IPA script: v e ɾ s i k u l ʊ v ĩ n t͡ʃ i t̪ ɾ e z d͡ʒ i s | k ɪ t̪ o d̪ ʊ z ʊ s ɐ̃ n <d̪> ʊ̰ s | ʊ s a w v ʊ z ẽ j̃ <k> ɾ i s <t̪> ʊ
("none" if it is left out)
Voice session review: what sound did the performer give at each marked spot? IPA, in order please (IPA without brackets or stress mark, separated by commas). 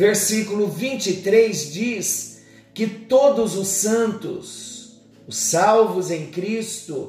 t̪, k, t̪